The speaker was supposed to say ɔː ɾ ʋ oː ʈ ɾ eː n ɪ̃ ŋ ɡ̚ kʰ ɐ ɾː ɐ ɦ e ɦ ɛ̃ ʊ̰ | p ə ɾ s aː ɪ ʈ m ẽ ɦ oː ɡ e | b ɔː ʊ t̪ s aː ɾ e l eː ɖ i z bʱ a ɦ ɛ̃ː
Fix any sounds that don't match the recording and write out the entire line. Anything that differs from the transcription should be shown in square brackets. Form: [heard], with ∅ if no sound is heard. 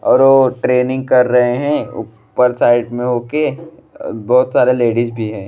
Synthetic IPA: ɔː ɾ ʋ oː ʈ ɾ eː n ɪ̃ ŋ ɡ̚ [k] ɐ ɾː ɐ ɦ e ɦ ɛ̃ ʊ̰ | p ə ɾ s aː ɪ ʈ m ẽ ɦ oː [k] e | b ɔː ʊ t̪ s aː ɾ e l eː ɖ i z bʱ [i] ɦ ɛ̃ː